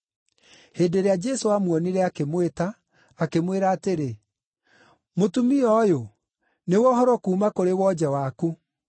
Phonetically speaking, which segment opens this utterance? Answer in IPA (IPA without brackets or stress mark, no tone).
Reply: h